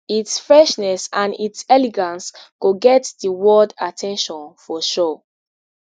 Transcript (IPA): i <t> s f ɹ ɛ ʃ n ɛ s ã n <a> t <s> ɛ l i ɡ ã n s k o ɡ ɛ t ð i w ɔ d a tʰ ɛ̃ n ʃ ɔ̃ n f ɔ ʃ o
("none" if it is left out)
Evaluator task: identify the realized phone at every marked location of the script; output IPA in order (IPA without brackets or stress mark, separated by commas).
t, i, s